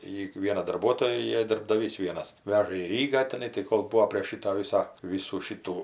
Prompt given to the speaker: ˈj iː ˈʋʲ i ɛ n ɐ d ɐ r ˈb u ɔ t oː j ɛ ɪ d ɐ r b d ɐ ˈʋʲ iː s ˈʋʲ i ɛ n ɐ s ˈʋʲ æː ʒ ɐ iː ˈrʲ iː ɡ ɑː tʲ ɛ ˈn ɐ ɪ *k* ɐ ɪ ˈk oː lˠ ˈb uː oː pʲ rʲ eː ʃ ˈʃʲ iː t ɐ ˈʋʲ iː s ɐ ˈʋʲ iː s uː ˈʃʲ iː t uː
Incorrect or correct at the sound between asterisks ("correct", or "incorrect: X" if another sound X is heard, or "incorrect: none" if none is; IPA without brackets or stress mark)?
incorrect: t